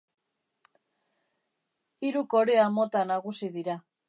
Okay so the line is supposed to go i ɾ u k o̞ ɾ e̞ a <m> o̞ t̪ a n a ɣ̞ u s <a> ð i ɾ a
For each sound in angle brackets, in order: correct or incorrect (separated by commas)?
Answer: correct, incorrect